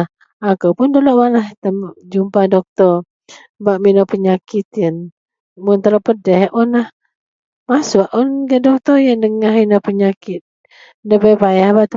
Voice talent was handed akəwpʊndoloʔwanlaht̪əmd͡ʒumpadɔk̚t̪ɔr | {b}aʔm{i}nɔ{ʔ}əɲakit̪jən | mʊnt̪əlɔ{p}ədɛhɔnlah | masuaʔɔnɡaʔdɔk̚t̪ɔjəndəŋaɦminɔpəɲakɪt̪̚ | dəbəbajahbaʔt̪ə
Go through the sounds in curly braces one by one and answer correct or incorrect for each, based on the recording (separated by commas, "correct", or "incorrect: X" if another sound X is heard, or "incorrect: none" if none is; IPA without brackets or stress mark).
correct, correct, incorrect: p, correct